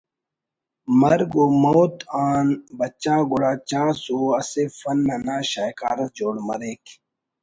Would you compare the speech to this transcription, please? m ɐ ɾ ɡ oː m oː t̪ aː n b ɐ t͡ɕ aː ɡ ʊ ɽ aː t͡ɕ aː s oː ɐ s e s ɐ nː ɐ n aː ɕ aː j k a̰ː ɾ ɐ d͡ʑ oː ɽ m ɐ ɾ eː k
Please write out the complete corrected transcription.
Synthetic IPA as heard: m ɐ ɾ ɡ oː m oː t̪ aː n b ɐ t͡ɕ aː ɡ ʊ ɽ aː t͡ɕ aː s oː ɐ s e f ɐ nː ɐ n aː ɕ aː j k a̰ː ɾ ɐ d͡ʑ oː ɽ m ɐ ɾ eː k